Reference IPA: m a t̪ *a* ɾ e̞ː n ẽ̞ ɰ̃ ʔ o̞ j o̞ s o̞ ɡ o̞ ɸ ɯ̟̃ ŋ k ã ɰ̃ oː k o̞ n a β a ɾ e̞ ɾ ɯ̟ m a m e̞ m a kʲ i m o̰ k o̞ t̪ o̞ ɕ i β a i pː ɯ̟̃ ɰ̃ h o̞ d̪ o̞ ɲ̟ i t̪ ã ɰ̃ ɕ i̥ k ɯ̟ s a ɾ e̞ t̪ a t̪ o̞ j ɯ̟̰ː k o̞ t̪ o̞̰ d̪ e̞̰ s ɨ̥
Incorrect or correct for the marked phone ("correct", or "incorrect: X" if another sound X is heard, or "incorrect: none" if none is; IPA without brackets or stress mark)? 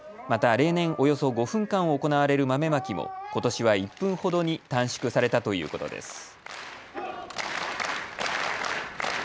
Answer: correct